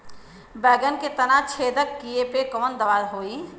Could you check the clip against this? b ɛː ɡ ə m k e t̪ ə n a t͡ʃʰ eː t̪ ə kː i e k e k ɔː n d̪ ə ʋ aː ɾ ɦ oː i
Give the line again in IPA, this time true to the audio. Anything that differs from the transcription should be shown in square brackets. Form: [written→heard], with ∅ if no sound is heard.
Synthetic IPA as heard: b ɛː ɡ ə [m→n] k e t̪ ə n a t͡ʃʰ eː [t̪→d̪] ə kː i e [k→p] e k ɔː n d̪ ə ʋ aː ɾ ɦ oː i